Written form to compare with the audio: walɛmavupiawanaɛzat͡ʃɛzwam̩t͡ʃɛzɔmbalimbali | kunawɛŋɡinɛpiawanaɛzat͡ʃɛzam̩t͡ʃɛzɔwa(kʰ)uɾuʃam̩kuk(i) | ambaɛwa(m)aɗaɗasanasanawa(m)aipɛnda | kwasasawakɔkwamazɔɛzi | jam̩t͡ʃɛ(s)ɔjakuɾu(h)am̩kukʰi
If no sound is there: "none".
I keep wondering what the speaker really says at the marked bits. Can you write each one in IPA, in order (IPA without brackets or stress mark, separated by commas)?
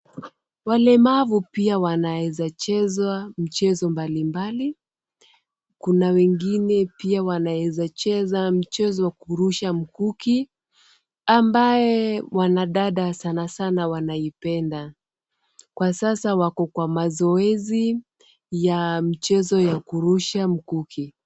k, i, n, n, z, ʃ